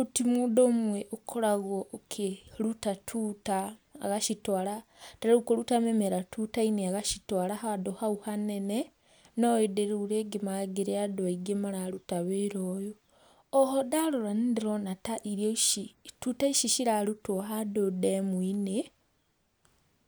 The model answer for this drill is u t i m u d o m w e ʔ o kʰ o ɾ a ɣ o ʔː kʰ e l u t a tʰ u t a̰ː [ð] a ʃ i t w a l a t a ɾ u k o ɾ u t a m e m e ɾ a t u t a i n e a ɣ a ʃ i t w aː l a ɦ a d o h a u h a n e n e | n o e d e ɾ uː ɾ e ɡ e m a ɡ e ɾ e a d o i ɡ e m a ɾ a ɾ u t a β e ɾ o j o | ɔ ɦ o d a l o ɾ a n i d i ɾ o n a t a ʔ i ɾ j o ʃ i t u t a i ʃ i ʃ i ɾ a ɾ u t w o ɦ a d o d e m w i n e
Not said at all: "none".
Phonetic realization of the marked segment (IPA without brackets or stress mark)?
ɣ